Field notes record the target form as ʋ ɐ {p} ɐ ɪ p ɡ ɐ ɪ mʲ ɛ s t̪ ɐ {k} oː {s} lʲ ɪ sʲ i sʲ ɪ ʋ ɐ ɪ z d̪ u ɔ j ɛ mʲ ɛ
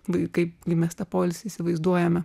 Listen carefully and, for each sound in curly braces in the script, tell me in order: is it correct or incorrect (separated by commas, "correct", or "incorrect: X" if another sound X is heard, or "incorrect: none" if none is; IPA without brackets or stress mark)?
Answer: incorrect: k, incorrect: p, incorrect: none